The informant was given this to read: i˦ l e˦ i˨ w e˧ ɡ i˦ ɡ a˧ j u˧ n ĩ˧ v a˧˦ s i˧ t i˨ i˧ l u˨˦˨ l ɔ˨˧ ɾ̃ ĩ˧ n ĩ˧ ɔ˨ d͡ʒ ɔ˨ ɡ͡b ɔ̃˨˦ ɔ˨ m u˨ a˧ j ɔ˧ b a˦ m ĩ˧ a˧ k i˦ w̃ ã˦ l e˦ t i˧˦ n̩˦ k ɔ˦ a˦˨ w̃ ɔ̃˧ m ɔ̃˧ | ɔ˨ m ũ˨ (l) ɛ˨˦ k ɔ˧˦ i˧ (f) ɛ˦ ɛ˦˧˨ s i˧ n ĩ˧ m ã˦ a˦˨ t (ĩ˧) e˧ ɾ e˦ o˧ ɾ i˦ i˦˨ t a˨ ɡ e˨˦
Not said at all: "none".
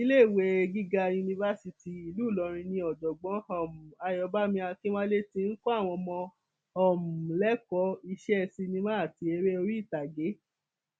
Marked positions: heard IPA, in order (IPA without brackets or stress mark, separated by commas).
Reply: l, ʃ, i˧